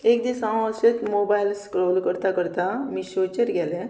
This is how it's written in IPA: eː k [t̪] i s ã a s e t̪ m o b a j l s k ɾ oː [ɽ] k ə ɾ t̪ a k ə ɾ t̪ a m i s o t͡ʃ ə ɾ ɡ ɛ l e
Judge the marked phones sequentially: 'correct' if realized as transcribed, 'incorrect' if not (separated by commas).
incorrect, incorrect